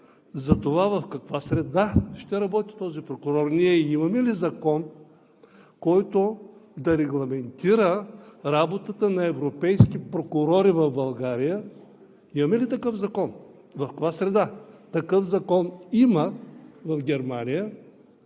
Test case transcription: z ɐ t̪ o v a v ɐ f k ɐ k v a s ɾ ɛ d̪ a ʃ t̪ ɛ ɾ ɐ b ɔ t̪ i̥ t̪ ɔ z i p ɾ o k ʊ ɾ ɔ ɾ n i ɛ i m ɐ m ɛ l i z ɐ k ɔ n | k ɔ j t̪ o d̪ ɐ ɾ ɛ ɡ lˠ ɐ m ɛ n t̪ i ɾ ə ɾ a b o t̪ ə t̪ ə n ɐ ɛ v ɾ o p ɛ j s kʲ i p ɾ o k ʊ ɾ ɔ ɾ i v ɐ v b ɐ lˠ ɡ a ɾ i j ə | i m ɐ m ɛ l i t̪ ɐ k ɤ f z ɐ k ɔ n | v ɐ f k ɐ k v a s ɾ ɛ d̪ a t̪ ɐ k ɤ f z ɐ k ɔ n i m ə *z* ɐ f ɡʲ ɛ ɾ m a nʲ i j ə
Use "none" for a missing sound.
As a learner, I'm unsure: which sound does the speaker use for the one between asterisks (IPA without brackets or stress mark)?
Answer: v